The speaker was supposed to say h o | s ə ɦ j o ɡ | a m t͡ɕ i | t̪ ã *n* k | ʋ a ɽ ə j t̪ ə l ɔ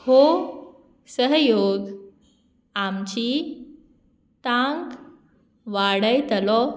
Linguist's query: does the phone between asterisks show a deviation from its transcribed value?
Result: yes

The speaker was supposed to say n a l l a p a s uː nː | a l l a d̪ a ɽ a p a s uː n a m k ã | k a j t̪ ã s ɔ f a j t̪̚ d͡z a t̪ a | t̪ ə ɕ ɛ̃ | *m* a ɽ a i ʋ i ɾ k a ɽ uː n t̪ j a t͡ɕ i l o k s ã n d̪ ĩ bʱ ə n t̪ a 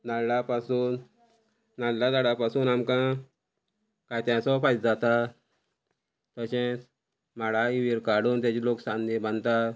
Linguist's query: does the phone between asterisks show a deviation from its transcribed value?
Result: no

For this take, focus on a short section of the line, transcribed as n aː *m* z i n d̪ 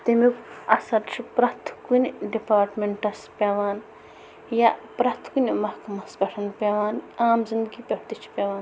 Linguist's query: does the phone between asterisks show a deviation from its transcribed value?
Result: no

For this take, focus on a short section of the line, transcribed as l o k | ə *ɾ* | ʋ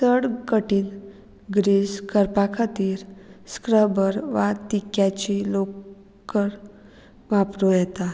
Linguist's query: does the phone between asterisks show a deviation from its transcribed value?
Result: no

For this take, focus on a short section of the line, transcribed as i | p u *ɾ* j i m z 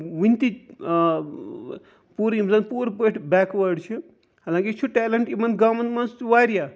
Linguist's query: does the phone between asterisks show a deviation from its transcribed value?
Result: no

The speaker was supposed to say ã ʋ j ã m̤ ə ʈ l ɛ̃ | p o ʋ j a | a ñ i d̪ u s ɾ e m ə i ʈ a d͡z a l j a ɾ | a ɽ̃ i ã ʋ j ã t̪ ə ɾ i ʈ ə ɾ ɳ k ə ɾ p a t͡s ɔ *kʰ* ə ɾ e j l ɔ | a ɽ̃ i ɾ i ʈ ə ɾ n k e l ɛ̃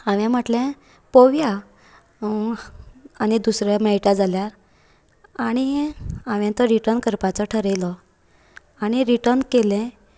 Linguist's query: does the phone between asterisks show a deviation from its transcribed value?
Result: yes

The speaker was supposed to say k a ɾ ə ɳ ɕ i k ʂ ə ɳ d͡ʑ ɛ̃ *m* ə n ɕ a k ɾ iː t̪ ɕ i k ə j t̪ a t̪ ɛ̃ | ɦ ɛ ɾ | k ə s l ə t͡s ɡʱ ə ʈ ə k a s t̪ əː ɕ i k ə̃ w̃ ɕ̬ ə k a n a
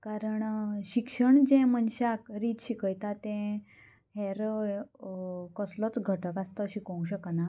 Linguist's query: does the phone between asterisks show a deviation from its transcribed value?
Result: no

